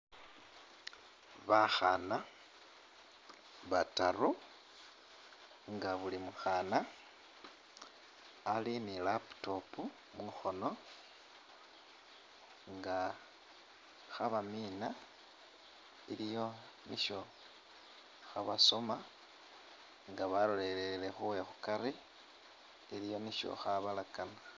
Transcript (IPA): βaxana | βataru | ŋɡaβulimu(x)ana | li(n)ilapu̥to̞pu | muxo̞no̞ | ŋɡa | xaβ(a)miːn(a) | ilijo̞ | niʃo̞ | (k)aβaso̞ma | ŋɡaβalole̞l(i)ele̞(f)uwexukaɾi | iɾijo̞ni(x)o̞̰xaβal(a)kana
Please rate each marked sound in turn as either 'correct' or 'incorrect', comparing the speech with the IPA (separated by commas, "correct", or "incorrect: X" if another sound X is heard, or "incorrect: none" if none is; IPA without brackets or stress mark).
correct, correct, correct, correct, incorrect: x, incorrect: e, incorrect: x, incorrect: ʃ, correct